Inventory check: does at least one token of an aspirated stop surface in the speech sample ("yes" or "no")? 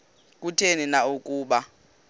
yes